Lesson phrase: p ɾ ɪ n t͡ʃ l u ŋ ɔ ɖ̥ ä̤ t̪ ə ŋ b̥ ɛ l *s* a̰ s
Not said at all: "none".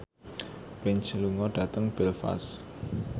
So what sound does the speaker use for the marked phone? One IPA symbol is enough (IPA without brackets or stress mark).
f